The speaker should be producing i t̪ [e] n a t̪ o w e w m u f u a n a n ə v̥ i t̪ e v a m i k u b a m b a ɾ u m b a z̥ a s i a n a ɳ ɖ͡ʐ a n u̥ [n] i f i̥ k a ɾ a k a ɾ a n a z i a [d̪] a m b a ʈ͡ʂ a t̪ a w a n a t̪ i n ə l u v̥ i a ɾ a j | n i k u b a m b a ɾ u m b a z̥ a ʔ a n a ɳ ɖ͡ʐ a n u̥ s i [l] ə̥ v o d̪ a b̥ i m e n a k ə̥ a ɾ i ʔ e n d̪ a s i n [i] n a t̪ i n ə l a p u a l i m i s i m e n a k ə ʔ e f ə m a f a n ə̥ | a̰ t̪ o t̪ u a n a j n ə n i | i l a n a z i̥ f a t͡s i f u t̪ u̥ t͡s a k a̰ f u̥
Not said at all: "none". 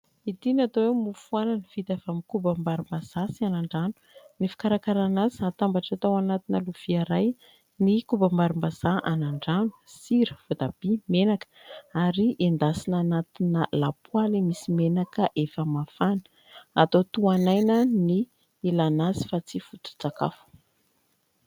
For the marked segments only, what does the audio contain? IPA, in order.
i, n, t̪, ɾ, a

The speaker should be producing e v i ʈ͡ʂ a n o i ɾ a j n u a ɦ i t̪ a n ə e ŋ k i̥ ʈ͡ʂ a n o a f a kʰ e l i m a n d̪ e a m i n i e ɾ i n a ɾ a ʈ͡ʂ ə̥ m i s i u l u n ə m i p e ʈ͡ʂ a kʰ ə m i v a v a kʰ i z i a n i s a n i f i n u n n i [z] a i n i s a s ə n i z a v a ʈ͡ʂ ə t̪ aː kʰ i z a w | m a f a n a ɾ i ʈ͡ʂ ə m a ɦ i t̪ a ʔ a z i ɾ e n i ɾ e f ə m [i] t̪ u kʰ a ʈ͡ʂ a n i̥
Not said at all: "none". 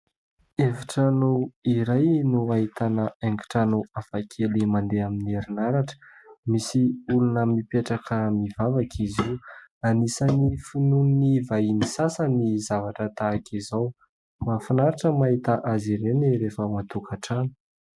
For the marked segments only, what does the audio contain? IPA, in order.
v, a

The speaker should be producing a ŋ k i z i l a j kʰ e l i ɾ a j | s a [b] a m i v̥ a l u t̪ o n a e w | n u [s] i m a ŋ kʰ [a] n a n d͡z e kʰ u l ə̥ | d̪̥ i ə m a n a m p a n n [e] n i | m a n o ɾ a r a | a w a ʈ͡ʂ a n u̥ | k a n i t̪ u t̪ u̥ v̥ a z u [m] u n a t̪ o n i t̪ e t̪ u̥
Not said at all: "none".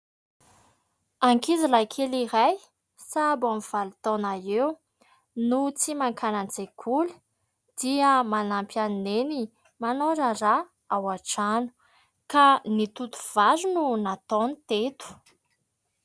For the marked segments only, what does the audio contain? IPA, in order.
b, t͡s, a, e, n

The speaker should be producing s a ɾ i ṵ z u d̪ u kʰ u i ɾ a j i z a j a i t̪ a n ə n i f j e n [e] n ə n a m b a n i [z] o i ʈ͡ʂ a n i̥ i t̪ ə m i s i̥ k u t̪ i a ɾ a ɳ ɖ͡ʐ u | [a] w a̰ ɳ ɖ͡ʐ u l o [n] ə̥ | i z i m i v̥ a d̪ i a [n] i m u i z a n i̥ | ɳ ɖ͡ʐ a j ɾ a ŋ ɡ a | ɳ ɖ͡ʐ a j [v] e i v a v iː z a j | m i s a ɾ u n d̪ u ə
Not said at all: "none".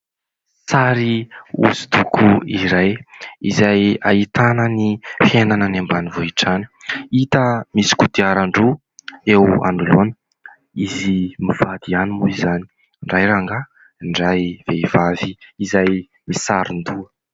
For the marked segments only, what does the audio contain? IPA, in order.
a, v, e, n, n, v

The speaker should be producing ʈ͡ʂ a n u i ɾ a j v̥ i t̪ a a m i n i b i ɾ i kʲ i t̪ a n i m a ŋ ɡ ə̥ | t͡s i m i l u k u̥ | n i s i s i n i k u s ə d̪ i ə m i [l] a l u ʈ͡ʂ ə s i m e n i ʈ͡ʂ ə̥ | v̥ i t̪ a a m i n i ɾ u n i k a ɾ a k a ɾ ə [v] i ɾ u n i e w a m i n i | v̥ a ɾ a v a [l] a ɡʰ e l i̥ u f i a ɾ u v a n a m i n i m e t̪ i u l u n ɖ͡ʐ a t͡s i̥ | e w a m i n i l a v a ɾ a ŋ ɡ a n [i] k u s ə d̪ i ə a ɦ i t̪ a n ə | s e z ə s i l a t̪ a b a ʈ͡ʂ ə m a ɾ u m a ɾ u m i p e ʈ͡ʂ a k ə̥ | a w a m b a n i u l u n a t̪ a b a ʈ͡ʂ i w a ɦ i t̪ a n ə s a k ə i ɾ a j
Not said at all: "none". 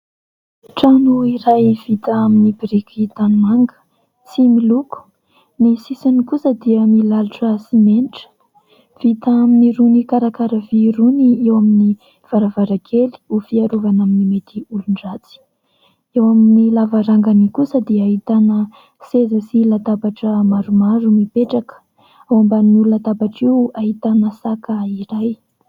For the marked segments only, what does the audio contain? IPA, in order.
l, v, ɾ, i

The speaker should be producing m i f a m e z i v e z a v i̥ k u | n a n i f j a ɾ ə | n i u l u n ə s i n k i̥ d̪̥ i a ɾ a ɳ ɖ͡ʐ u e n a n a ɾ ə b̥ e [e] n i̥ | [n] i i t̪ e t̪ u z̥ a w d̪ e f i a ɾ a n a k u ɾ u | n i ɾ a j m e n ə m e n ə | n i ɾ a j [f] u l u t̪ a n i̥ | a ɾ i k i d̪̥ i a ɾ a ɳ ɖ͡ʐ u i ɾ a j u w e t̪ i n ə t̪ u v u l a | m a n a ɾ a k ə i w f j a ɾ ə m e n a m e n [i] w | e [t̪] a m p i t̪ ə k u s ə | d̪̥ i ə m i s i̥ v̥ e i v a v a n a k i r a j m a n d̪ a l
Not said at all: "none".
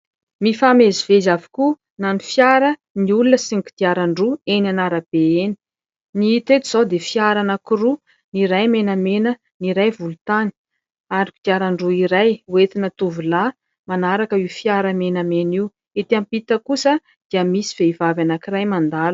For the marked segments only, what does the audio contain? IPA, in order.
e, n, v, i, t̪

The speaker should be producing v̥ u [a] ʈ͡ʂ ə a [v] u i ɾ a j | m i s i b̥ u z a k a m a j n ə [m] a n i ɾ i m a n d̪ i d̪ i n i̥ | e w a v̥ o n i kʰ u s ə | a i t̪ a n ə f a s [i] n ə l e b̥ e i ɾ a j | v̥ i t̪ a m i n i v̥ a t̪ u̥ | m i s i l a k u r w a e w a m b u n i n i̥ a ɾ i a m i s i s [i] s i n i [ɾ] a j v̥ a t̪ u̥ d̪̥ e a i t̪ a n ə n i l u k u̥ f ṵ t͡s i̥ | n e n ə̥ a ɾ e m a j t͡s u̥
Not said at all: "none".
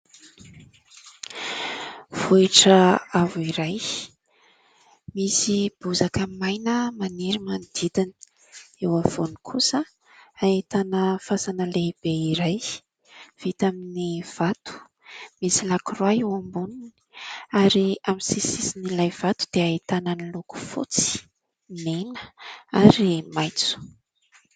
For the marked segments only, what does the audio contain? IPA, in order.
i, v, m, a, i, l

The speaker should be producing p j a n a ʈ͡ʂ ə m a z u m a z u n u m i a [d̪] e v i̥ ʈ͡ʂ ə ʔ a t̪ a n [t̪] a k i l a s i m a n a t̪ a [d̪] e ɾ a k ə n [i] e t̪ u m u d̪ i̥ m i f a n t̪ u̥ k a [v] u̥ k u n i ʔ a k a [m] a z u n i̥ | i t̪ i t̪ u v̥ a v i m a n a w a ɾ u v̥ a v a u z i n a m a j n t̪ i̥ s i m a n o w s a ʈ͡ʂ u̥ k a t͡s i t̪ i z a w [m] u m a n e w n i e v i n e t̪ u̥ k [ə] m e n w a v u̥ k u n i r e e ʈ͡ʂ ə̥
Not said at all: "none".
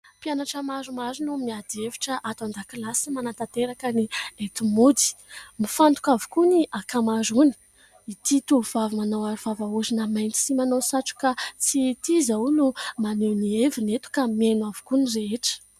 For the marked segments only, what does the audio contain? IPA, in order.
d̪, d̪, t̪, i, v, m, n, a

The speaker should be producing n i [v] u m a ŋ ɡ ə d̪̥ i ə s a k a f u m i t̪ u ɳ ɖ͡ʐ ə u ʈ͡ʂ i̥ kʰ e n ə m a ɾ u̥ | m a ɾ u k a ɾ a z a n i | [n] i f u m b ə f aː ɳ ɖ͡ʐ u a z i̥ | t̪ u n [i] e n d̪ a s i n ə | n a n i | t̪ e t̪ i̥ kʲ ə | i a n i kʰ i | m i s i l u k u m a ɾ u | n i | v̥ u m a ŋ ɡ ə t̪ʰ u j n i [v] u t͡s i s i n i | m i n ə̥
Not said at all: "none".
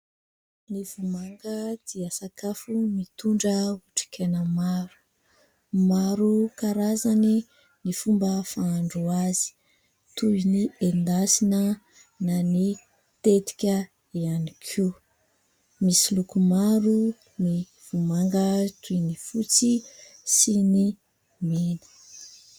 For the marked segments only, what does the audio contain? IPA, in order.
v, n, i, f

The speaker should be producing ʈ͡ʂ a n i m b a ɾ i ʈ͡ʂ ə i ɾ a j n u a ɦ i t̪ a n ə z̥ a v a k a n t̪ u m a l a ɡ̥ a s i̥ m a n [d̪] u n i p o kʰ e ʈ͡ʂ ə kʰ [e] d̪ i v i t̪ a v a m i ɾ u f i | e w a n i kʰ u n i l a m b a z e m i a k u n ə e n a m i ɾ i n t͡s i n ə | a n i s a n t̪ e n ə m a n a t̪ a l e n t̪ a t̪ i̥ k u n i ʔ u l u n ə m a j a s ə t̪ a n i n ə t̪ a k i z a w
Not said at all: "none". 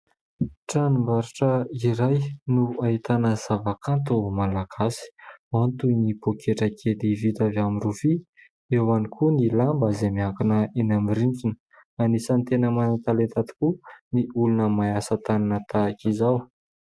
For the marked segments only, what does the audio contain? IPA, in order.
t̪, e

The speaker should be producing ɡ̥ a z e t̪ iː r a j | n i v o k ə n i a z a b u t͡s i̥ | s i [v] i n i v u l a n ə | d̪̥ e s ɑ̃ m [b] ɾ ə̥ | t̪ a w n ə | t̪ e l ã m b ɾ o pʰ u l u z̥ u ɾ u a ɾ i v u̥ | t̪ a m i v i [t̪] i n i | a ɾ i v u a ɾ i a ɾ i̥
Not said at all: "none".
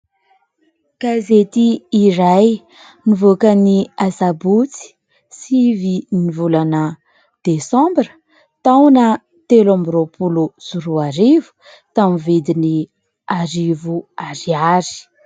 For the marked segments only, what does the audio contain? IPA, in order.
v, b, d̪

